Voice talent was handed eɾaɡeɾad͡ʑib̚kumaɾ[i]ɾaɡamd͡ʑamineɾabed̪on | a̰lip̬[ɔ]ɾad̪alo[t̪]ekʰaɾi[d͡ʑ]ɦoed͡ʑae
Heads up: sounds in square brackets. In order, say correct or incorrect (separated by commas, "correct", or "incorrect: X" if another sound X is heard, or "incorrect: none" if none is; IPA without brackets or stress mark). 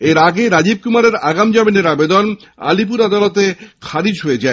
incorrect: e, incorrect: u, correct, correct